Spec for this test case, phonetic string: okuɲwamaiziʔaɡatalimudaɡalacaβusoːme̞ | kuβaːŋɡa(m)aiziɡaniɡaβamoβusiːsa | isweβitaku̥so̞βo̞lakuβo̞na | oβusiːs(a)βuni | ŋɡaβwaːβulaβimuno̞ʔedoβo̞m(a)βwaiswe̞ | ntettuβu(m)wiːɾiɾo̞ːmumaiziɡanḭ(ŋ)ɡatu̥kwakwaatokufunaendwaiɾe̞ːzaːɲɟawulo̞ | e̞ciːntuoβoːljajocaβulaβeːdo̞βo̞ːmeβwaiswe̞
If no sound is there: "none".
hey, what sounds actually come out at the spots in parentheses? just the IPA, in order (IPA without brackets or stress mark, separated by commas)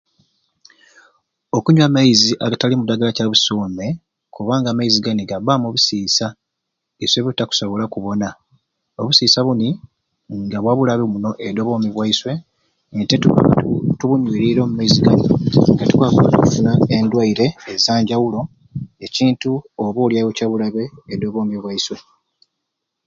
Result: m, a, i, ɲ, ŋ